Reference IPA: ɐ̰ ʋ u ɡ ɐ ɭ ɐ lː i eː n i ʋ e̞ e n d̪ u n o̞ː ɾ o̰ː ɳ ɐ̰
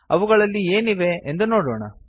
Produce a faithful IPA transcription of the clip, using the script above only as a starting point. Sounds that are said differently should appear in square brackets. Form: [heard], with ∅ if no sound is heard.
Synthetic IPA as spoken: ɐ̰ ʋ u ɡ ɐ ɭ ɐ lː i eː n i ʋ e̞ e n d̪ u n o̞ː [ɽ] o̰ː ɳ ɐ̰